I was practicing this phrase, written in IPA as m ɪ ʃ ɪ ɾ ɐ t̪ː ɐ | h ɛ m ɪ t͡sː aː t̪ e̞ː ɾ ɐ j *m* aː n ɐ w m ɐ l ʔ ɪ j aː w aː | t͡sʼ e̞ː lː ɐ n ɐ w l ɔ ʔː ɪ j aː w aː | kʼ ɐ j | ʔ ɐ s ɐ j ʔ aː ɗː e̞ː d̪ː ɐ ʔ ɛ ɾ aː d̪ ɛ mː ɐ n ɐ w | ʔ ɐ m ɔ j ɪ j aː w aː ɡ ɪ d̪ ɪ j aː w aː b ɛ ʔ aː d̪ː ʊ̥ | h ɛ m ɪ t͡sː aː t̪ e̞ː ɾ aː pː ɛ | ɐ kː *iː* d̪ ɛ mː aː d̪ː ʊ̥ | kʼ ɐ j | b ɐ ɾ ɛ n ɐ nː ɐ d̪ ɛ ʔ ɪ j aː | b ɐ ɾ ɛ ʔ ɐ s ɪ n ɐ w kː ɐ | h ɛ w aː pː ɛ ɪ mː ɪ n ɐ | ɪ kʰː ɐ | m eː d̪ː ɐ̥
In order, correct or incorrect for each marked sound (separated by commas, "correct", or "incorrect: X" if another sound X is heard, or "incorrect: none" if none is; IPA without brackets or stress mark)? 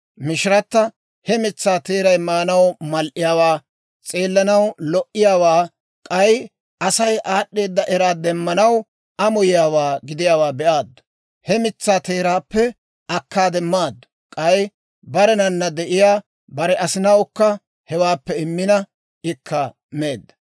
correct, incorrect: aː